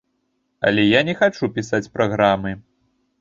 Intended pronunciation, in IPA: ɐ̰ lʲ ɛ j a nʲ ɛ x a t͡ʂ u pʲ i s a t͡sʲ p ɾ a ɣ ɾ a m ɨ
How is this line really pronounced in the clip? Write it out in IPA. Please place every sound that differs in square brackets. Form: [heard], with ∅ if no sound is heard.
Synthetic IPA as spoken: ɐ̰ lʲ ɛ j a nʲ ɛ x a t͡ʂ u pʲ i s a t͡sʲ p ɾ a ɣ ɾ a m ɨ